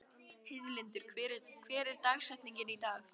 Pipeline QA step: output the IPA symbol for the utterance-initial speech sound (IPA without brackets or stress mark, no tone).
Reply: h